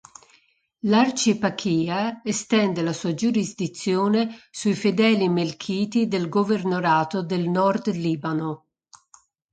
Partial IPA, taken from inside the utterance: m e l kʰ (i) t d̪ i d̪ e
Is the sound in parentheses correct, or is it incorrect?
incorrect: iː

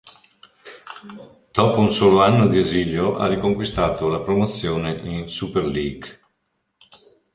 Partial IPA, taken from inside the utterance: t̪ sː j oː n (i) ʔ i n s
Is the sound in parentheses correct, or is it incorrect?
incorrect: e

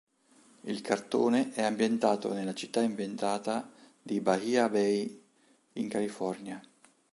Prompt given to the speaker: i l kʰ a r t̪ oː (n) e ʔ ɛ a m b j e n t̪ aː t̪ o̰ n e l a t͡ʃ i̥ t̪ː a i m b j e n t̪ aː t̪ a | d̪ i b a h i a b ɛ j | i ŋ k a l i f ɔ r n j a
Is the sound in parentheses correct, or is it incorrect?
correct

